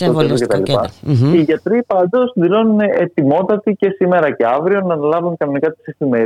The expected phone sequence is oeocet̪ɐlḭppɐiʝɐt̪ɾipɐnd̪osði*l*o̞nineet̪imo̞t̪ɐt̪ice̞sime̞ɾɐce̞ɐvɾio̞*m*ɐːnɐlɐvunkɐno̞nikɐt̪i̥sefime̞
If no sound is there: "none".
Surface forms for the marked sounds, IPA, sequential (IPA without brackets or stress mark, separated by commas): l, n